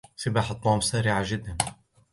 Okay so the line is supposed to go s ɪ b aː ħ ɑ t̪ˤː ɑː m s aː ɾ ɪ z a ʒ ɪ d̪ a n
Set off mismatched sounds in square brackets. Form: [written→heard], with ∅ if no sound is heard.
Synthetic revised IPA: s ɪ b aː ħ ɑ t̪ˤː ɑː m s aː ɾ ɪ [z→ʕ] a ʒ ɪ [d̪→d̪ː] a n